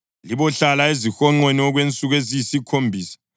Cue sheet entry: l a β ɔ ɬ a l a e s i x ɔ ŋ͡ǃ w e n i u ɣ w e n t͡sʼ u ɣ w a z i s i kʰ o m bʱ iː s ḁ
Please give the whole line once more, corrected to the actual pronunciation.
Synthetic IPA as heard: l i β ɔ ɬ a l a e z i x ɔ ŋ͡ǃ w e n i ɔ ɣ w e n t͡sʼ u ɣ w e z i s i kʰ o m bʱ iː s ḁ